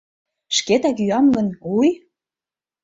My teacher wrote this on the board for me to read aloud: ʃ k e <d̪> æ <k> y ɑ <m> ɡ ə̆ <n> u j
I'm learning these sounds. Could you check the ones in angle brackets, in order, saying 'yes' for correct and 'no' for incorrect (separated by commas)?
no, yes, yes, yes